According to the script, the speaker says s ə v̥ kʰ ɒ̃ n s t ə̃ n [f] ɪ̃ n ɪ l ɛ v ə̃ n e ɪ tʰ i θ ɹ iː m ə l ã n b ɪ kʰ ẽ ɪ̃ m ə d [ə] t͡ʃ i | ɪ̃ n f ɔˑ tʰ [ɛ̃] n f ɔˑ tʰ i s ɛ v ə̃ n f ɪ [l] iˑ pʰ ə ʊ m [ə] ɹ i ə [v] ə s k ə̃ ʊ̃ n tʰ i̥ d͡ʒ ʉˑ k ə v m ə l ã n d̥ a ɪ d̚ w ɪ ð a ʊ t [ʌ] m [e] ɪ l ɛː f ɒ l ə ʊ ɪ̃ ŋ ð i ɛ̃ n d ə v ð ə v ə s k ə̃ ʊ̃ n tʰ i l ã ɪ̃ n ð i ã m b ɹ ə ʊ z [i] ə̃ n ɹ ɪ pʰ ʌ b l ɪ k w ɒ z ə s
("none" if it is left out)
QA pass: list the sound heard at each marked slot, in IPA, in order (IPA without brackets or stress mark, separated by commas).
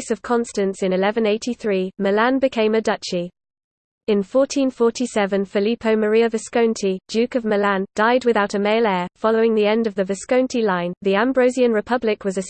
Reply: s, ʌ, ĩ, l, ə, v, ə, e, i